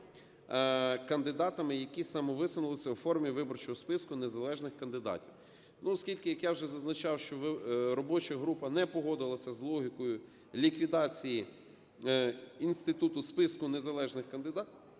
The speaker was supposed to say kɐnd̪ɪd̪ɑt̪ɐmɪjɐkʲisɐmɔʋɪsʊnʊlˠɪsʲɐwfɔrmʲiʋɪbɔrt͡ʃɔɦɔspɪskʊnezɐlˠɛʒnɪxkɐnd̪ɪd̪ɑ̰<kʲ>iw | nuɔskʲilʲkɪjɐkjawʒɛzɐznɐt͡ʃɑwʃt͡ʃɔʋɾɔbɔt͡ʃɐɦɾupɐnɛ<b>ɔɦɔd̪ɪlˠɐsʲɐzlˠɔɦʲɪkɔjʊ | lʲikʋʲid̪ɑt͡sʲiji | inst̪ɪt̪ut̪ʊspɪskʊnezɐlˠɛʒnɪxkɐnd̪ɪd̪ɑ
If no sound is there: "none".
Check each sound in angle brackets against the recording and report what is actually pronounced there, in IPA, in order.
tʲ, p

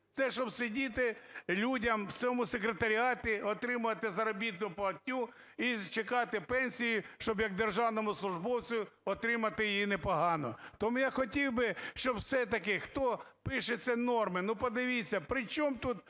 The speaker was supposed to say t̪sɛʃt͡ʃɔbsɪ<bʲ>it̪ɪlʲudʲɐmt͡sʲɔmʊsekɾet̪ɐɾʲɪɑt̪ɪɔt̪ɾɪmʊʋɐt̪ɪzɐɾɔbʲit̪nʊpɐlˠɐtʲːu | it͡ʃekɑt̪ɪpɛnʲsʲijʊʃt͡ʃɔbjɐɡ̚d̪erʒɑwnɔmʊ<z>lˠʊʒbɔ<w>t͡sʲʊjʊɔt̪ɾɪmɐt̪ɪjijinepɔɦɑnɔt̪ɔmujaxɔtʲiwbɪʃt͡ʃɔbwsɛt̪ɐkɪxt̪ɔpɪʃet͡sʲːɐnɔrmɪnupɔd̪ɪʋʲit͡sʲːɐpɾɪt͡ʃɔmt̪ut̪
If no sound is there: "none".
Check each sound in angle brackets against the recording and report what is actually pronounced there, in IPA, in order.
dʲ, s, w

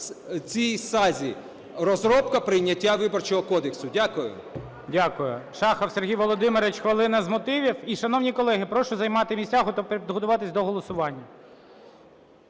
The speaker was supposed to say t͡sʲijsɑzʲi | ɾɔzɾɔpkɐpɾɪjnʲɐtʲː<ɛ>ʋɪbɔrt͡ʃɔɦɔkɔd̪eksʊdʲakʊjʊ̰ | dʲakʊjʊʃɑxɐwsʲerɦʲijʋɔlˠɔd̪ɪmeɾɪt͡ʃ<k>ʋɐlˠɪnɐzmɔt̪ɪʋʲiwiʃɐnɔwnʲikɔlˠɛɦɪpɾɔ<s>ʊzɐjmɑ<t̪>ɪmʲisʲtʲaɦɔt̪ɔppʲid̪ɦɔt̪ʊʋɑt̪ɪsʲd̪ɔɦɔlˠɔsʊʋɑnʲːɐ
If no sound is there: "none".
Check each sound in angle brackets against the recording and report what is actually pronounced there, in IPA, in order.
a, x, ʃ, t̪

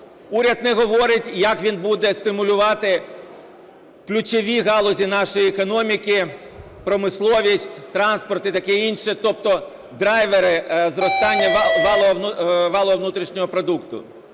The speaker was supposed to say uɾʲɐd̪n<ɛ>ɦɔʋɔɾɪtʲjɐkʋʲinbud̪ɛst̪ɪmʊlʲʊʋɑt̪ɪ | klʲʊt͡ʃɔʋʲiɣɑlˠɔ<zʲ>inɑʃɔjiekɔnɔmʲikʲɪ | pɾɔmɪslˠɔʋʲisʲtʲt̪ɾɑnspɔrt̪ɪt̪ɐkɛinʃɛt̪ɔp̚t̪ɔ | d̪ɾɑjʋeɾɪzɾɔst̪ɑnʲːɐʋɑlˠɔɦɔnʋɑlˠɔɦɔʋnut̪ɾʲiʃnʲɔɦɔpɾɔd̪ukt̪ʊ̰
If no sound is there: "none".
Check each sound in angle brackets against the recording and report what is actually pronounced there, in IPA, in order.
ɛ, zʲ

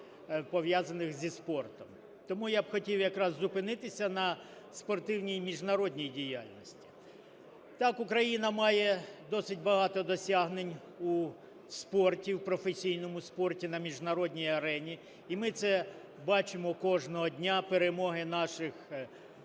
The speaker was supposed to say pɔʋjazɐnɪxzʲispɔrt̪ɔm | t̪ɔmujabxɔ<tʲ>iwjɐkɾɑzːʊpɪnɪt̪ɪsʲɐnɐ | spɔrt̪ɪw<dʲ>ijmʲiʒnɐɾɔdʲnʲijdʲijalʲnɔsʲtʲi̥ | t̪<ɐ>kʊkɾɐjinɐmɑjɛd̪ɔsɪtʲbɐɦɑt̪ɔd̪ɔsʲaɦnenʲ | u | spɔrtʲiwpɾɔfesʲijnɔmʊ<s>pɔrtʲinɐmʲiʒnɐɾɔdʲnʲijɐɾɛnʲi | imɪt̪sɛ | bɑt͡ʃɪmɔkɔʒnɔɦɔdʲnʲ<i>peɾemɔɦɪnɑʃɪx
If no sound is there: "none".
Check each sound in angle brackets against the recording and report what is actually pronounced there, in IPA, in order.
tʲ, nʲ, ɑ, s, a

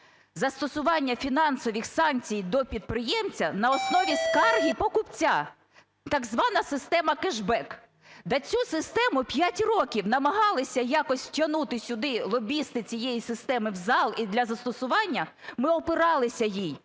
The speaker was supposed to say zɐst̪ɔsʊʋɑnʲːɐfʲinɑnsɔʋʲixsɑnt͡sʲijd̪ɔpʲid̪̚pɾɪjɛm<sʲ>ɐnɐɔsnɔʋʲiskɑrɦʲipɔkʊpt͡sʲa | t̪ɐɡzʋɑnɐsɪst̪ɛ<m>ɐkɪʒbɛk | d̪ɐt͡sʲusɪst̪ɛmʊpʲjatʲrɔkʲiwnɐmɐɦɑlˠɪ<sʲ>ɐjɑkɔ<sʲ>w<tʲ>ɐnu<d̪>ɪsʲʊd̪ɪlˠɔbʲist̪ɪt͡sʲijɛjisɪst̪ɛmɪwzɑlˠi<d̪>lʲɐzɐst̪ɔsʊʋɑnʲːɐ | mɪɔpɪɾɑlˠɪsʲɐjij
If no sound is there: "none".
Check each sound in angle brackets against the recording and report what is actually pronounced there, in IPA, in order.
t͡sʲ, m, sʲ, sʲ, tʲ, t̪, d̪

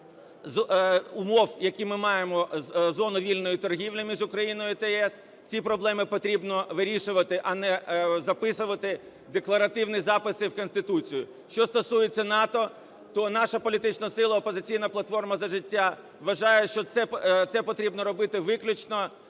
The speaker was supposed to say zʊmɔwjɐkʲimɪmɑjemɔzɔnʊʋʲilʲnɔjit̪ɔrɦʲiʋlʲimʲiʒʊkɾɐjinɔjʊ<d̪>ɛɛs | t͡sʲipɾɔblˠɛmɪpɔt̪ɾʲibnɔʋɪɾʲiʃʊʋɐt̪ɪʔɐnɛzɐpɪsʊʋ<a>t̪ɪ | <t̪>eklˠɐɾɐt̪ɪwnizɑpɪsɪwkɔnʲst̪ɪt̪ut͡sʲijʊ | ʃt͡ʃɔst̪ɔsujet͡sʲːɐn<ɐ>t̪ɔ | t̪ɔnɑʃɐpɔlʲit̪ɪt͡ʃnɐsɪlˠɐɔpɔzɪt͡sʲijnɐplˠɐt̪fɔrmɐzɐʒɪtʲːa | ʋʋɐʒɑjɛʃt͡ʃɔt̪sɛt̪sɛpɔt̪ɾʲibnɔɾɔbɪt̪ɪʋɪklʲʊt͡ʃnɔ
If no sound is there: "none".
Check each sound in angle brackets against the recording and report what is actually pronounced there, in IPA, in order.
t̪, ɐ, d̪, ɑ

